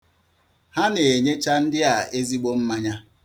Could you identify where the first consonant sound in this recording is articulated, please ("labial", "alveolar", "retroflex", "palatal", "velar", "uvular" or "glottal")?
glottal